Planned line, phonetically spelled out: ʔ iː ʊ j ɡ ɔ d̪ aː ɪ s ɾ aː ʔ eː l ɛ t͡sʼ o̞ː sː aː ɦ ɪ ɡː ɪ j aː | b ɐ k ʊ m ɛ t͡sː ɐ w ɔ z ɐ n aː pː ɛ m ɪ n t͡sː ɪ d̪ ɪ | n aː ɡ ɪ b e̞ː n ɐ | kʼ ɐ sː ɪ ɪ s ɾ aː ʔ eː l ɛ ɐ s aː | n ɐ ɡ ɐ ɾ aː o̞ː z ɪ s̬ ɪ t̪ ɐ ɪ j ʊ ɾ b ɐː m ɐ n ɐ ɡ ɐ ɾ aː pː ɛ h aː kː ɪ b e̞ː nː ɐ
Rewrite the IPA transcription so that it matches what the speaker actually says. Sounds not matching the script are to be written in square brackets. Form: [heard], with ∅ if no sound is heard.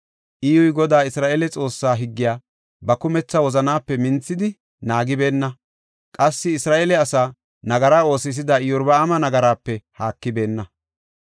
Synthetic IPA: ʔ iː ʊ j ɡ ɔ d̪ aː ɪ s ɾ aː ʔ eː l ɛ t͡sʼ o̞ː sː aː ɦ ɪ ɡː ɪ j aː | b ɐ k ʊ m ɛ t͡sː ɐ w ɔ z ɐ n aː pː ɛ m ɪ n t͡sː ɪ d̪ ɪ | n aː ɡ ɪ b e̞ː [nː] ɐ | kʼ ɐ sː ɪ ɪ s ɾ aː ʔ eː l ɛ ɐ s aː | n ɐ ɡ ɐ ɾ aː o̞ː [s] ɪ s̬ ɪ [d̪] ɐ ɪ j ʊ ɾ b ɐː m ɐ n ɐ ɡ ɐ ɾ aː pː ɛ h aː kː ɪ b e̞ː nː ɐ